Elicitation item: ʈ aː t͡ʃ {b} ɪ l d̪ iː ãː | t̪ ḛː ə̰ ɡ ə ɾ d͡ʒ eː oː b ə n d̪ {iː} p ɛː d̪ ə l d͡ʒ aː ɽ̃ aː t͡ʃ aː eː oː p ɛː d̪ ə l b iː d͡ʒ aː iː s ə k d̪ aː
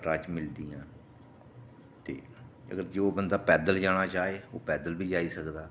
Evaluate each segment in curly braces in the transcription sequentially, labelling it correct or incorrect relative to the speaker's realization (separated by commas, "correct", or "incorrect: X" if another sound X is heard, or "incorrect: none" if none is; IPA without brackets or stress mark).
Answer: incorrect: m, incorrect: aː